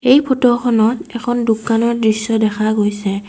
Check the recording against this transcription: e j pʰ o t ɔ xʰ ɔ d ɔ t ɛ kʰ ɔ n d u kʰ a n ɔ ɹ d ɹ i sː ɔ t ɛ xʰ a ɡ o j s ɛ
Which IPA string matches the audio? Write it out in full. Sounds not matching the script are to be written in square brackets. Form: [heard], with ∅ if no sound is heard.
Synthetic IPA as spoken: e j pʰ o t ɔ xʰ ɔ [n] ɔ t ɛ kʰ ɔ n d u [k] a n ɔ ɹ d ɹ i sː ɔ [d] ɛ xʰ a ɡ o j s ɛ